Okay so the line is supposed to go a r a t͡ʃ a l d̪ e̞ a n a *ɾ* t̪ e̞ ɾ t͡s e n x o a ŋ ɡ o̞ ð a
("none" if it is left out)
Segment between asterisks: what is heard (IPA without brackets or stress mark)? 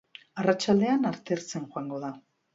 ɾ